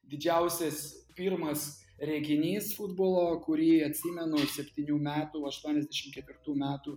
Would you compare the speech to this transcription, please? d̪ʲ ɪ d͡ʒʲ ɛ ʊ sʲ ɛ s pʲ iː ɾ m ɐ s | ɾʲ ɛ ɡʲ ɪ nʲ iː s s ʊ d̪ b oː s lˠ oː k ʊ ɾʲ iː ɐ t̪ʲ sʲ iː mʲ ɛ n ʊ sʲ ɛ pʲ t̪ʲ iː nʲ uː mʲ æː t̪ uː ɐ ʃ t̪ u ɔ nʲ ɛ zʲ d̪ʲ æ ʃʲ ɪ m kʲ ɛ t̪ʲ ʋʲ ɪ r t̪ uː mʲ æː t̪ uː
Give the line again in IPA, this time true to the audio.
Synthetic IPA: d̪ʲ ɪ d͡ʒʲ ɛ ʊ sʲ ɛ s pʲ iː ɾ m ɐ s | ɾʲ ɛ ɡʲ ɪ nʲ iː s f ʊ d̪ b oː lˠ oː k ʊ ɾʲ iː ɐ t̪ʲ sʲ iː mʲ ɛ n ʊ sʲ ɛ pʲ t̪ʲ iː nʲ uː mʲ æː t̪ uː ɐ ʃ t̪ u ɔ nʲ ɛ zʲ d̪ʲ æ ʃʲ ɪ m kʲ ɛ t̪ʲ ʋʲ ɪ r t̪ uː mʲ æː t̪ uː